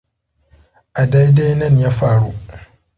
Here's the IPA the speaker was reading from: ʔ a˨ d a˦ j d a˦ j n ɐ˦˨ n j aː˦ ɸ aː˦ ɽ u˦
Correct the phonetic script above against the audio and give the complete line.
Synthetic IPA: ʔ a˨ d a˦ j d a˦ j n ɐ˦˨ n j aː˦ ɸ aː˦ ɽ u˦

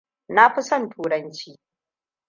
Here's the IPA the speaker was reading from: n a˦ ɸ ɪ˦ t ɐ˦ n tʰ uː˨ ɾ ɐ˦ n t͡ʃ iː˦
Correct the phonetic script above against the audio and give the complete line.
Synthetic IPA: n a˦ ɸ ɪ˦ s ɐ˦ n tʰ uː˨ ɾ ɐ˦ n t͡ʃ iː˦

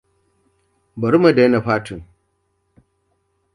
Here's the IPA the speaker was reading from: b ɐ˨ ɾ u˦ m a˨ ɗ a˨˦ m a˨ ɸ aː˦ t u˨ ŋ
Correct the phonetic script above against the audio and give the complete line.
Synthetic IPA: b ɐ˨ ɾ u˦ m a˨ d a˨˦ n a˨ ɸ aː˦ t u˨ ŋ

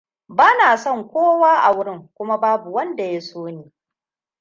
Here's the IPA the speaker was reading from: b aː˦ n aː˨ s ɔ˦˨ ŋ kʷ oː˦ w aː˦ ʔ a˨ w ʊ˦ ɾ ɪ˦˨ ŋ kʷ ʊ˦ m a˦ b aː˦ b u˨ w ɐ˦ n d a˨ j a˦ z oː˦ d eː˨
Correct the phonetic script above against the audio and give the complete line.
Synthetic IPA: b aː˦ n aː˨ s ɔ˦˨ ŋ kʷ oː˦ w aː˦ ʔ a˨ w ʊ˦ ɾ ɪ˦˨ ŋ kʷ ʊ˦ m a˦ b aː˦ b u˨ w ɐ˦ n d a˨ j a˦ s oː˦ n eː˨

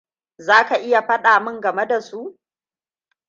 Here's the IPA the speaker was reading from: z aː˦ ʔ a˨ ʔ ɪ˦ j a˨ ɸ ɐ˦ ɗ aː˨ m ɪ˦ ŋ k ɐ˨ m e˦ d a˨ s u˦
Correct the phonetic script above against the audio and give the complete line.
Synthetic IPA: z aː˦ k a˨ ʔ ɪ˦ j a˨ ɸ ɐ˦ ɗ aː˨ m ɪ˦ ŋ ɡ ɐ˨ m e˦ d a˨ s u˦

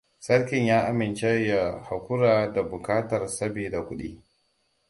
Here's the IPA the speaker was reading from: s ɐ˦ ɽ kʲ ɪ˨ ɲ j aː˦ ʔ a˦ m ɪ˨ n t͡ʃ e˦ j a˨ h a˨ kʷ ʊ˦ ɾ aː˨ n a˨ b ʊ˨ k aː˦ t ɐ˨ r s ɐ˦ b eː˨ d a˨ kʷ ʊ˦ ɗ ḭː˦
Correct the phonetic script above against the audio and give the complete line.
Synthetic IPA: s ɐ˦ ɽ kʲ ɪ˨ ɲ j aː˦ ʔ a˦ m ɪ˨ n t͡ʃ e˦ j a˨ h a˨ kʷ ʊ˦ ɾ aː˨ d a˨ b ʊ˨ k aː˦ t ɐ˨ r s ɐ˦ b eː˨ d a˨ kʷ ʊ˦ ɗ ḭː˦

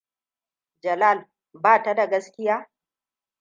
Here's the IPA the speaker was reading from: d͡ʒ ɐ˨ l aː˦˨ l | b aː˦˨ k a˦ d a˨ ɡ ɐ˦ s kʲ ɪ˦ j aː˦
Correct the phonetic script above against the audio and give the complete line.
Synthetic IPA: d͡ʒ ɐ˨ l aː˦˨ l | b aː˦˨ t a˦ d a˨ ɡ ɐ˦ s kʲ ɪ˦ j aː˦

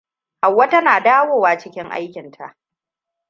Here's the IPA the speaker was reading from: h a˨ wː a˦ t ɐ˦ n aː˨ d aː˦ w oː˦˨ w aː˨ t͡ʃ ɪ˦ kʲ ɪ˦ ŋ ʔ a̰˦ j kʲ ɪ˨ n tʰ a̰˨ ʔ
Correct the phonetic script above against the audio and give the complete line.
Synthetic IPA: h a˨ wː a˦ t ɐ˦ n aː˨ d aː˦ w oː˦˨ w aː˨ t͡ʃ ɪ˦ kʲ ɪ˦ ŋ ʔ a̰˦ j kʲ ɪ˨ n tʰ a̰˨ ʔ

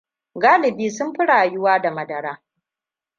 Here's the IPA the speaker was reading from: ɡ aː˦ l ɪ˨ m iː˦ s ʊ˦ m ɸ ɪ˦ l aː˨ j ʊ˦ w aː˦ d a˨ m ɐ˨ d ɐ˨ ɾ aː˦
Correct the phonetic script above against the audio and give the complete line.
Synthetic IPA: ɡ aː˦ l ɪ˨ b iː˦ s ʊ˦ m ɸ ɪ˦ ɽ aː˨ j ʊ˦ w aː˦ d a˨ m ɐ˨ d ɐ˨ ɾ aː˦

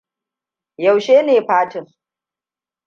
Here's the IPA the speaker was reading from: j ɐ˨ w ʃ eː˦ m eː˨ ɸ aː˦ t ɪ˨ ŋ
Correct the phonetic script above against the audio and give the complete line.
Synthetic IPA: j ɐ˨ w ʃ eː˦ n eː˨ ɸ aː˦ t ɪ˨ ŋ

